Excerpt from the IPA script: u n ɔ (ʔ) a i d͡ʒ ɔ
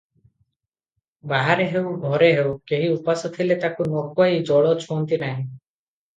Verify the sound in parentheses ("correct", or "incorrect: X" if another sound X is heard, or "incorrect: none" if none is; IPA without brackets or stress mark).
incorrect: k